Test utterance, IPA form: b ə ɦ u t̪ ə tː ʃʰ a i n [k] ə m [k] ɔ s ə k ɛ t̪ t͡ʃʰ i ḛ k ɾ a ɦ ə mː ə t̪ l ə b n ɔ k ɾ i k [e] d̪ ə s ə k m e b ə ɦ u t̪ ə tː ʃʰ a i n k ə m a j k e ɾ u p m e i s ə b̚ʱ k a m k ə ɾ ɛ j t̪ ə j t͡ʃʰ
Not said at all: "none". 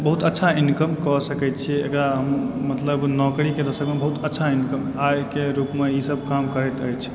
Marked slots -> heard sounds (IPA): k, k, e

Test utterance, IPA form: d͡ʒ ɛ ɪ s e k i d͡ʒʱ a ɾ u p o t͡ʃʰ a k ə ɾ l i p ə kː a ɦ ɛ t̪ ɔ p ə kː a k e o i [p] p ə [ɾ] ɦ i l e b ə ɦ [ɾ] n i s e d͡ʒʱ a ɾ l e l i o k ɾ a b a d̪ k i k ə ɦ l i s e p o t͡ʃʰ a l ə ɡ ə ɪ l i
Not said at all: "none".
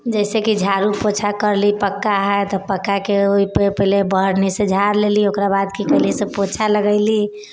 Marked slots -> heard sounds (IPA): p, none, ɾ

